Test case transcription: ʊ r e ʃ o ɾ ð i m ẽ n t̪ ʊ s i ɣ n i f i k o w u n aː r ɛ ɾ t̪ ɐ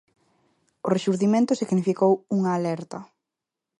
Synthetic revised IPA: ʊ r e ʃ u ɾ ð i m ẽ n t̪ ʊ s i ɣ n i f i k o w u ŋ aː l ɛ ɾ t̪ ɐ